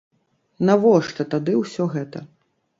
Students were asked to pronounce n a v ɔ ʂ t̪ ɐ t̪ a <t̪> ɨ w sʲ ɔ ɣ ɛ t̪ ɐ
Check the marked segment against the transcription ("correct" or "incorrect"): incorrect